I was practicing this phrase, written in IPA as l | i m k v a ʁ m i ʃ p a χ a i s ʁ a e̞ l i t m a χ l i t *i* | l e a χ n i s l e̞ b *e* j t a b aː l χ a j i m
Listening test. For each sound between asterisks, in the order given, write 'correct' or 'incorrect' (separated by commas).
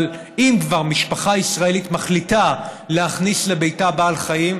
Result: incorrect, correct